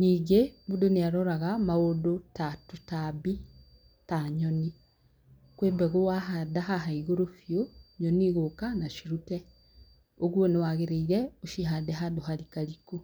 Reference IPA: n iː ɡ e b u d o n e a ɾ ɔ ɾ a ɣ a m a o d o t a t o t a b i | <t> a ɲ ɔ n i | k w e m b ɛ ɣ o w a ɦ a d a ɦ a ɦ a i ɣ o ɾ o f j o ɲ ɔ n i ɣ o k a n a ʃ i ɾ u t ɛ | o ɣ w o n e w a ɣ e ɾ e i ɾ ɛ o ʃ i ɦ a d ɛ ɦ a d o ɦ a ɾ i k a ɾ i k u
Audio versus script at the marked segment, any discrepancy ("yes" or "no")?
no